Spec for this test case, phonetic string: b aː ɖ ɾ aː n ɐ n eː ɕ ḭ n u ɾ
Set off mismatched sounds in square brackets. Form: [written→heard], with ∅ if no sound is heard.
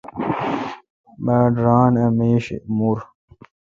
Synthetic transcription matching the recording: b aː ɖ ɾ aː n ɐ [n→m] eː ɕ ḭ [n→m] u ɾ